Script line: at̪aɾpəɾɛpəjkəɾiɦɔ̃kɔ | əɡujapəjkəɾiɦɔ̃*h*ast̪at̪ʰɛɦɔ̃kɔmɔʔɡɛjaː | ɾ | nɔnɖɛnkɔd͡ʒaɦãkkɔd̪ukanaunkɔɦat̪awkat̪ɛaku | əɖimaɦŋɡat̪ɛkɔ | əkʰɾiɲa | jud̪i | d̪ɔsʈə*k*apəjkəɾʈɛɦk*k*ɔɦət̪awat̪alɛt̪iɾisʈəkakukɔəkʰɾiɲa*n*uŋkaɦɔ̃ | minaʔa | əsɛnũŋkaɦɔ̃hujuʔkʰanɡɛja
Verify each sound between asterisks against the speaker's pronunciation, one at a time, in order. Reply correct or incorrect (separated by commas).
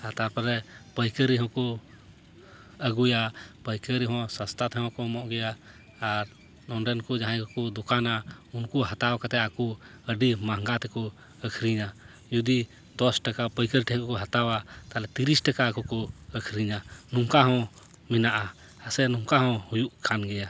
incorrect, correct, correct, correct